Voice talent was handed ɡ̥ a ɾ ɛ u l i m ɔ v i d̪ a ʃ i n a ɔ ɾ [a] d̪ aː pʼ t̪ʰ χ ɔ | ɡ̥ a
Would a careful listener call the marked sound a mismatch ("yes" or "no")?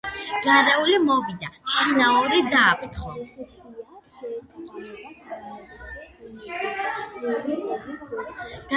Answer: yes